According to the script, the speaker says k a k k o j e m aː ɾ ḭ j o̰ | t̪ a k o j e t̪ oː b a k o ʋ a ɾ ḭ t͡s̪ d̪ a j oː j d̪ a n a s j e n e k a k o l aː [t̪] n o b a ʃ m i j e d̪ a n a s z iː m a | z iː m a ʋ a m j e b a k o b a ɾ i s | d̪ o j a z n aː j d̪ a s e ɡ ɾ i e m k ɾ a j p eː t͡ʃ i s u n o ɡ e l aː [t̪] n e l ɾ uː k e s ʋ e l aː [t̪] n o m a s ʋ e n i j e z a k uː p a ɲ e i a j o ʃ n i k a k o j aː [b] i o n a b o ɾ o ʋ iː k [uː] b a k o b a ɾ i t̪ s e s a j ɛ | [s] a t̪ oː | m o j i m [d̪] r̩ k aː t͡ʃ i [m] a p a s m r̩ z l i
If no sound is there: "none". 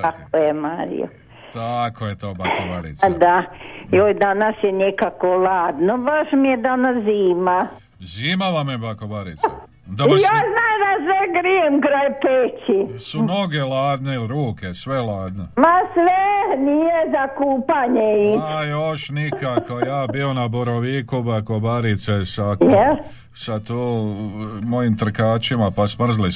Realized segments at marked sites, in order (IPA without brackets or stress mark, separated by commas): d̪, d̪, d̪, b, u, s, t̪, m